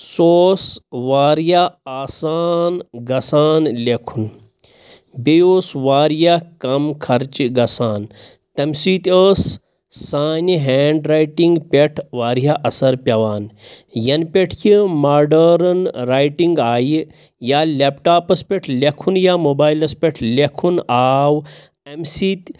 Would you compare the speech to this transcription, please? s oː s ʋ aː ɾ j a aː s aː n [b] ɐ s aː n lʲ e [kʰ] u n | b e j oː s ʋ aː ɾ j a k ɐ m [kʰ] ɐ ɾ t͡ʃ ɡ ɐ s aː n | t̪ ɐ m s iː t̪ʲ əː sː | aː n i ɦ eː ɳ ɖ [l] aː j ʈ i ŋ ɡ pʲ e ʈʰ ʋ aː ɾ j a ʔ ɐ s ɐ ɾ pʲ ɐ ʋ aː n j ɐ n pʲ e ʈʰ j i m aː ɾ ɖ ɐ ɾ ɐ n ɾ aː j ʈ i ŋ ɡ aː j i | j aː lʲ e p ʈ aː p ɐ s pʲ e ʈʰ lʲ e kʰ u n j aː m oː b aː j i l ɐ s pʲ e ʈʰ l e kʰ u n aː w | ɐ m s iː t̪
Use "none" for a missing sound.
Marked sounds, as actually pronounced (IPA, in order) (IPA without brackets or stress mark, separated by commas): ɡ, kʰ, kʰ, ɾ